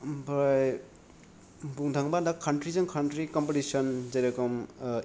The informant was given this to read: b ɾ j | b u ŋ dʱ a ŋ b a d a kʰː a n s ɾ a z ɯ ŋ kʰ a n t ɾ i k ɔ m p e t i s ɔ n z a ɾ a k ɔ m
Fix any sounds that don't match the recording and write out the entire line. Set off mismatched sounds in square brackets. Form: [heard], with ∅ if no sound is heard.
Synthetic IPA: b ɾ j | b u ŋ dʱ a ŋ b a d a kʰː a n [t] ɾ [i] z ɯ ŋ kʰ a n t ɾ i k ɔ m p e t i s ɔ n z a ɾ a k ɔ m